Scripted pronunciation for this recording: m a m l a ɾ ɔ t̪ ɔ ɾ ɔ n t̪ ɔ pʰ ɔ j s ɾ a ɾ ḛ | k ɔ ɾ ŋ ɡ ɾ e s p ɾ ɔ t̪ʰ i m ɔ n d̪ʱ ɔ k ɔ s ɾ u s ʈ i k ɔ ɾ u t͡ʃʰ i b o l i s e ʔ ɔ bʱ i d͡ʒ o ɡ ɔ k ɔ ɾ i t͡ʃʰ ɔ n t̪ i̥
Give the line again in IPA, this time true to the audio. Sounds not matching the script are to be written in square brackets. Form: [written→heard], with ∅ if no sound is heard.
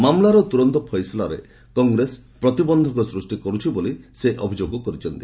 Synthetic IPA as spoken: m a m l a ɾ ɔ t̪ [ɔ→u] ɾ ɔ n t̪ ɔ pʰ ɔ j s [ɾ→l] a ɾ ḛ | k ɔ [ɾ→∅] ŋ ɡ ɾ e s p ɾ ɔ [t̪ʰ→t̪] i [m→b] ɔ n d̪ʱ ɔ k ɔ s ɾ u s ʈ i k ɔ ɾ u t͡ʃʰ i b o l i s e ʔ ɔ bʱ i d͡ʒ o ɡ ɔ k ɔ ɾ i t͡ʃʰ ɔ n t̪ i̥